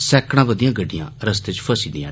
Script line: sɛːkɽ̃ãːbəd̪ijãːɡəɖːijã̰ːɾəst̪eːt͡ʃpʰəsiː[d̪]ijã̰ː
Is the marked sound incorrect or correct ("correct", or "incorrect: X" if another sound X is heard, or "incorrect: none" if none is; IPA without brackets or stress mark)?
correct